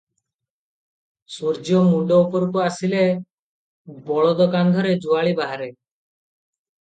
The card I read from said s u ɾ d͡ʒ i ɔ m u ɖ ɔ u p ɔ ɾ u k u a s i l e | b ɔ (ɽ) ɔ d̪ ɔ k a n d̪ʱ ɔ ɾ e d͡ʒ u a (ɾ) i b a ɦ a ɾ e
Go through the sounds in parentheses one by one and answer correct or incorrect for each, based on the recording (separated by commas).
incorrect, incorrect